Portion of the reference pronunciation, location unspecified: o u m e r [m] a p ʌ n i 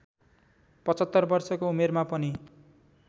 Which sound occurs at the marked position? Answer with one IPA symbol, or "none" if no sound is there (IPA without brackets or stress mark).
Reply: m